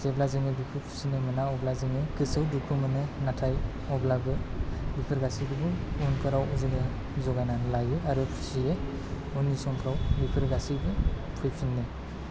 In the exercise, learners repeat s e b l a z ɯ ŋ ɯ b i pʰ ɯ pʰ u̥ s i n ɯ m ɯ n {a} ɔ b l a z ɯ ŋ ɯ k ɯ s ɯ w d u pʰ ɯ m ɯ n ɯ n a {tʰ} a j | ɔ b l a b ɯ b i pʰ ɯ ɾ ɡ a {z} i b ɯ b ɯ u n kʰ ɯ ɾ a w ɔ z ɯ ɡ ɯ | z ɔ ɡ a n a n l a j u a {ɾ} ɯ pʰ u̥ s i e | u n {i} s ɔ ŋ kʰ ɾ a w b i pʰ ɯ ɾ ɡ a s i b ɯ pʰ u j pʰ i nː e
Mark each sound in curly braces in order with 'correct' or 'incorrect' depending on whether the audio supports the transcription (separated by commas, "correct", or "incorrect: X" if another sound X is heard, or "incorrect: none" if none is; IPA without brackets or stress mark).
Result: correct, correct, incorrect: s, correct, correct